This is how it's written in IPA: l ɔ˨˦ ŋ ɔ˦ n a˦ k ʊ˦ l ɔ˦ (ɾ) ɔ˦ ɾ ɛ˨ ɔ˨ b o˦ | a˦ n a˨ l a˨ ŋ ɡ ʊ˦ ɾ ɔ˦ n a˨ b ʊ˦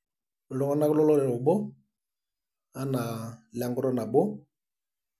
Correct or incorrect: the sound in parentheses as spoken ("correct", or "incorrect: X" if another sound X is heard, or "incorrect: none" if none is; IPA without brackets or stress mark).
incorrect: l